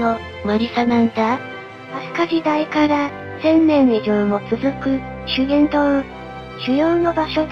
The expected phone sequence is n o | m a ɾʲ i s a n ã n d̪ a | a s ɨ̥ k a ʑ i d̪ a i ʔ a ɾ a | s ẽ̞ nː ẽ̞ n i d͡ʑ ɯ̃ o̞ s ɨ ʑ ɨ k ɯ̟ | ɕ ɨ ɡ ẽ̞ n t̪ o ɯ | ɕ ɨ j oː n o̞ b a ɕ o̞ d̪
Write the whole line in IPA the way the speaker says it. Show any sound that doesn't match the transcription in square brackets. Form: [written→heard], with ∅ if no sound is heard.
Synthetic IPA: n o | m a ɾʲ i s a n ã n d̪ a | a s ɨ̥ k a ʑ i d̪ a i [ʔ→k] a ɾ a | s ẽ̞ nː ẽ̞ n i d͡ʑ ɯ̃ o̞ [s→t͡s] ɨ [ʑ→z] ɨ k ɯ̟ | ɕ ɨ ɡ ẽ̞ n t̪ o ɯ | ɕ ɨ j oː n o̞ b a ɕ o̞ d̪